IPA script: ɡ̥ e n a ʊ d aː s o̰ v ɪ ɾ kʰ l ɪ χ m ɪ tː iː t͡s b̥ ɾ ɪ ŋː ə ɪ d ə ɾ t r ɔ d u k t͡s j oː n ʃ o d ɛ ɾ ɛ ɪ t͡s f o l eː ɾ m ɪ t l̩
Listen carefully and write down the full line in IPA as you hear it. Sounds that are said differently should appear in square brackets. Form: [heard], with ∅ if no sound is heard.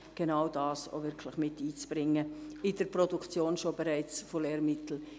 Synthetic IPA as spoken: ɡ̥ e n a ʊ d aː s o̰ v ɪ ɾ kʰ l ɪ χ m ɪ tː iː t͡s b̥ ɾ ɪ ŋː ə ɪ d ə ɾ [p] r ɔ d u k t͡s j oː n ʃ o [b] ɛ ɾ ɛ ɪ t͡s f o l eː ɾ m ɪ t l̩